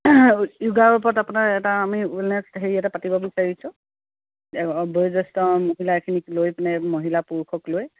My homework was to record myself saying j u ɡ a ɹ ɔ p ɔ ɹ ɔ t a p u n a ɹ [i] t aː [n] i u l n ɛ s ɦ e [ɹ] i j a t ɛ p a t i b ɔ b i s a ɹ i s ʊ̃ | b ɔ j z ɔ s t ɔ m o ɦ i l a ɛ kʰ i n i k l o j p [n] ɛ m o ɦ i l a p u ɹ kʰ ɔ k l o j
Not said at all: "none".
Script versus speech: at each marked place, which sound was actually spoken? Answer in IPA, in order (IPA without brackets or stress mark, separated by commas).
ɛ, m, ɹ, n